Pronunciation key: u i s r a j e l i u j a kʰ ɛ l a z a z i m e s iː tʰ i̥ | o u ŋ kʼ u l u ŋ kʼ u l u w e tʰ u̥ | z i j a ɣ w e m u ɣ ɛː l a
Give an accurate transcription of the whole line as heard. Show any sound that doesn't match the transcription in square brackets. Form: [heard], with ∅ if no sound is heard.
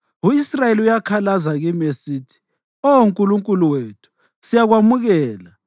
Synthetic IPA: u i s r a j e l i u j a kʰ [a] l a z a [ɣ] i m e s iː tʰ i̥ | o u ŋ kʼ u l u ŋ kʼ u l u w e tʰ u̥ | [s] i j a ɣ w [a] m u ɣ ɛː l a